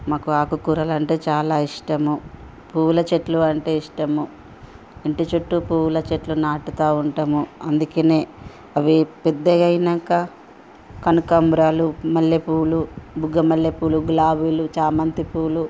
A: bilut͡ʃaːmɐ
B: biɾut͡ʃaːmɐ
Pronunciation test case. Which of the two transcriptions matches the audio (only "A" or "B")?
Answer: A